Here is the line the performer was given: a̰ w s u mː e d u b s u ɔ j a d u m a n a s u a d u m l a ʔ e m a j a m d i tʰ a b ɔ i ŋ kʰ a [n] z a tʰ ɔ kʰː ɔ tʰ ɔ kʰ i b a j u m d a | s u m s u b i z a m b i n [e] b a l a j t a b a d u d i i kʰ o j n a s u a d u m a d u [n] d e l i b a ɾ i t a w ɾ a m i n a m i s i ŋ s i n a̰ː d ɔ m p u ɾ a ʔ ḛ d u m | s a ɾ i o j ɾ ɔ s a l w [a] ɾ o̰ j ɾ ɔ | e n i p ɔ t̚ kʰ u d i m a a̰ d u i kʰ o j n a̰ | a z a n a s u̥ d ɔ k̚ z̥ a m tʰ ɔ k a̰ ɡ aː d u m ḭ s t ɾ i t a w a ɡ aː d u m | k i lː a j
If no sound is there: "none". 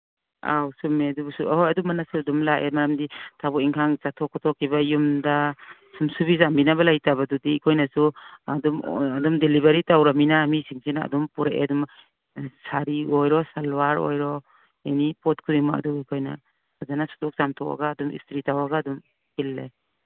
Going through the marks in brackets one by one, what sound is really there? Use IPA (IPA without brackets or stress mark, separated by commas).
ŋ, a, m, a